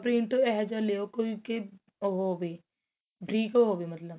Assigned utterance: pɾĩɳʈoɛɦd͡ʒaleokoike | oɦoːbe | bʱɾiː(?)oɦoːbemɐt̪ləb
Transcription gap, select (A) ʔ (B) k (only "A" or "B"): B